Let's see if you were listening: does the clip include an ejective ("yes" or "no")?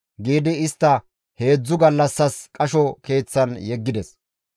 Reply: yes